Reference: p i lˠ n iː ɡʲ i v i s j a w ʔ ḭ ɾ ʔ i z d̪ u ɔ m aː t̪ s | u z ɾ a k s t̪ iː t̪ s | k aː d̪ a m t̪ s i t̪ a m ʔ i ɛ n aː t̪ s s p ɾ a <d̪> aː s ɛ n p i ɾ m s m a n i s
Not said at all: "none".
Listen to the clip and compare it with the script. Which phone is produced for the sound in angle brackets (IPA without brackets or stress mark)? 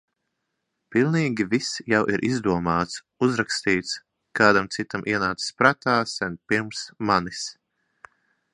t̪